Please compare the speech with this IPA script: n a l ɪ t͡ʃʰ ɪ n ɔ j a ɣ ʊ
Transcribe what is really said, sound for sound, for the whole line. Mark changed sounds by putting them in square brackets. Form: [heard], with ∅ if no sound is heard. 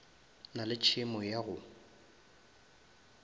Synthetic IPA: n a l ɪ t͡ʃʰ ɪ [m] ɔ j a ɣ ʊ